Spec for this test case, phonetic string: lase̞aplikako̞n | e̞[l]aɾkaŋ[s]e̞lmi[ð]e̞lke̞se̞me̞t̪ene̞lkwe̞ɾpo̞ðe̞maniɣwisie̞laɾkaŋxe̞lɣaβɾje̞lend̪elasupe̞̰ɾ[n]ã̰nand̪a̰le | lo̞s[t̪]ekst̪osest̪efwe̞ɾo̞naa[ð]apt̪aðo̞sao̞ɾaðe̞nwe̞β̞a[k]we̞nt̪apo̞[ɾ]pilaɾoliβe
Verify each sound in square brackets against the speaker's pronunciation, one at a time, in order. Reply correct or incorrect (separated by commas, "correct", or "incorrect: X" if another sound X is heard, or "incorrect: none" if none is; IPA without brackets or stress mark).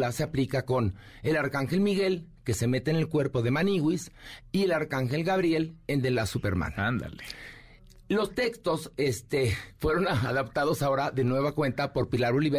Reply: correct, incorrect: x, incorrect: ɣ, incorrect: m, correct, correct, correct, correct